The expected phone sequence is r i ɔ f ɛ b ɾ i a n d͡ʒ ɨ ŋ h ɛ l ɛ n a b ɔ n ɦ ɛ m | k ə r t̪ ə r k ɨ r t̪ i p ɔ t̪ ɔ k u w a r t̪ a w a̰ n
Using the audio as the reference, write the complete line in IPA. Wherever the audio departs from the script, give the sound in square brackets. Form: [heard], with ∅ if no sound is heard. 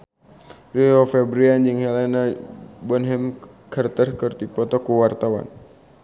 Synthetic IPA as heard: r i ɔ f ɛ b ɾ i a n d͡ʒ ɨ ŋ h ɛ l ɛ n a b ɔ n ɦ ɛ m | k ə r t̪ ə r k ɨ r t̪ i p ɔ t̪ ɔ k u w a r t̪ a w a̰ n